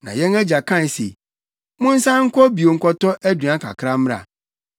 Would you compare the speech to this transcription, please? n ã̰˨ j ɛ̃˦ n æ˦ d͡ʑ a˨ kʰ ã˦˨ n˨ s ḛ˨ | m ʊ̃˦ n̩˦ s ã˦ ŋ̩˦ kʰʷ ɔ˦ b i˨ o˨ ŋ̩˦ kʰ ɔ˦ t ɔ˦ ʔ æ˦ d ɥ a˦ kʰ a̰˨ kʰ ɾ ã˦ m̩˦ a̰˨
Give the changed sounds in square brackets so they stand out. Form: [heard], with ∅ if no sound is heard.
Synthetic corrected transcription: n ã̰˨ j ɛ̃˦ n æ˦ d͡ʑ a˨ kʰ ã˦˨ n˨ s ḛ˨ | m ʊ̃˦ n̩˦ s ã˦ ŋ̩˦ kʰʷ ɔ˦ b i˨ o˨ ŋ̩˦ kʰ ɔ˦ t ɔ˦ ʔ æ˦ d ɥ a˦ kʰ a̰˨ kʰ ɾ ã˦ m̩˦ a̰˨